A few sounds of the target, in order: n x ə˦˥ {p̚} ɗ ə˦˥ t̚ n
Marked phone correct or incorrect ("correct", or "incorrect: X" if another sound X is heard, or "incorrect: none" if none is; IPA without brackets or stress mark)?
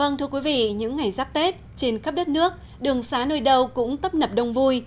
correct